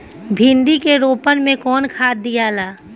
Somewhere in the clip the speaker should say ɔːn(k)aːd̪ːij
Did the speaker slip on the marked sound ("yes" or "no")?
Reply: yes